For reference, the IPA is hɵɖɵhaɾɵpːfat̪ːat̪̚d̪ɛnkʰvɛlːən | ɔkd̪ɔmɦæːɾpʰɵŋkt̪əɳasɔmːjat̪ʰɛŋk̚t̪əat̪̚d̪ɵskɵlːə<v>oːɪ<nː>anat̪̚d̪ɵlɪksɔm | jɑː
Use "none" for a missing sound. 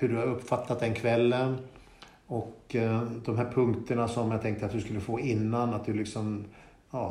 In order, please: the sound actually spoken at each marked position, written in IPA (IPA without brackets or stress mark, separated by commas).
f, nː